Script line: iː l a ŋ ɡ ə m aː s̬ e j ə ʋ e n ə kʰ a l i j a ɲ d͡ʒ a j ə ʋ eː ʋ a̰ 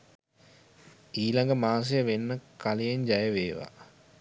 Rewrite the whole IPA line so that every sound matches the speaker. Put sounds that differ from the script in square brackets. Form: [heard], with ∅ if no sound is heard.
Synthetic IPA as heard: iː l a ŋ ɡ ə m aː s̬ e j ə ʋ e [nː] ə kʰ a l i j [e] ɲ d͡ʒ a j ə ʋ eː ʋ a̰